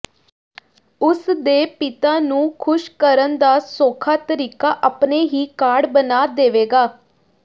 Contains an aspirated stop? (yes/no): yes